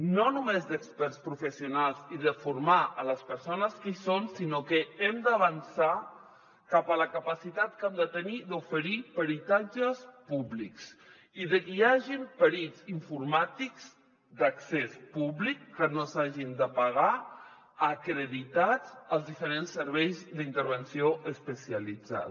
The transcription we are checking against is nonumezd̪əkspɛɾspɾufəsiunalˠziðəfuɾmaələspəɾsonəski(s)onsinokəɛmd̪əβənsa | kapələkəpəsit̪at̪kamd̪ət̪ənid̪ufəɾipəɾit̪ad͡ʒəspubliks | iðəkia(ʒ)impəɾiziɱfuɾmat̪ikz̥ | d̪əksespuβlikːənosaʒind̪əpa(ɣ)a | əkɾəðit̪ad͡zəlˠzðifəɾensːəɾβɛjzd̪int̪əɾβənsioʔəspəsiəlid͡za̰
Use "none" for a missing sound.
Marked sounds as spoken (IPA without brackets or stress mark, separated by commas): s, ʒ, ɣ